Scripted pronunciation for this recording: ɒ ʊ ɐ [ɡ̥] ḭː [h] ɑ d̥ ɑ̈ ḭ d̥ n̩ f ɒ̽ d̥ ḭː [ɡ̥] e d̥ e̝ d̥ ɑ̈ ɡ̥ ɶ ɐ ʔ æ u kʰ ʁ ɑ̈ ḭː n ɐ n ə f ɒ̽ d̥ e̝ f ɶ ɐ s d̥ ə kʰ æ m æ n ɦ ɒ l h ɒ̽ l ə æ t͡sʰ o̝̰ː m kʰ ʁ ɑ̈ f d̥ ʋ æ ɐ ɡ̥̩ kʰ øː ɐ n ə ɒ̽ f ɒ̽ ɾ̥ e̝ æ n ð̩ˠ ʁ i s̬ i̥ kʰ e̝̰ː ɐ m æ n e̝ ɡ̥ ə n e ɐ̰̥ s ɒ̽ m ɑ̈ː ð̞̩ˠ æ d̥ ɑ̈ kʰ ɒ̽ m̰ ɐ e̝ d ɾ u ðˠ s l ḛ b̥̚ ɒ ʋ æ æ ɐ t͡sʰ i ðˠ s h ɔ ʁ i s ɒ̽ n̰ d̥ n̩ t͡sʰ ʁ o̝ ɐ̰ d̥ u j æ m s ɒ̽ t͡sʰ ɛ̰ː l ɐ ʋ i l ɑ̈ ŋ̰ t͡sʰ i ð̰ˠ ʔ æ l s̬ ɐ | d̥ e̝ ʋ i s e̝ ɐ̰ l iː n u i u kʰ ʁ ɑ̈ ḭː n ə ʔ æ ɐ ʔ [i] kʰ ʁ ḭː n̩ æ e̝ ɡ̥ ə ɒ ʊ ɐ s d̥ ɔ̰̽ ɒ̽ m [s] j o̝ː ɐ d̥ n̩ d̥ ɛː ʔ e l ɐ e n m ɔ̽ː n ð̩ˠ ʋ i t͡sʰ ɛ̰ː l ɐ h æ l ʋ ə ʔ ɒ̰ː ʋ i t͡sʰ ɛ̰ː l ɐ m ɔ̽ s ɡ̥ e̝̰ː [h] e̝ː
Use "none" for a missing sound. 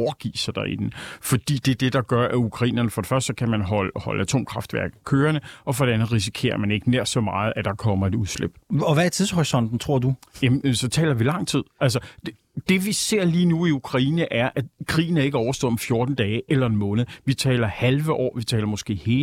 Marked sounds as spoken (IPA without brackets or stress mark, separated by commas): ɡ̥, s, d̥, æ, f, h